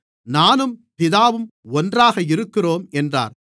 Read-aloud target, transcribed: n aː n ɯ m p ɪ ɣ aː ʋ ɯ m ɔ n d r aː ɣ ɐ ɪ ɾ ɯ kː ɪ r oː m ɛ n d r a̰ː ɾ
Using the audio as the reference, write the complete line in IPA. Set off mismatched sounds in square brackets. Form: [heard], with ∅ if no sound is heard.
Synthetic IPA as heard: n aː n ɯ m p ɪ [ð] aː ʋ ɯ m ɔ n d r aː ɣ ɐ ɪ ɾ ɯ kː ɪ r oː m ɛ n d r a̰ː ɾ